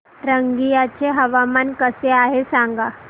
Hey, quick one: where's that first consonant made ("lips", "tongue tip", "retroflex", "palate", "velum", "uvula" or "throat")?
tongue tip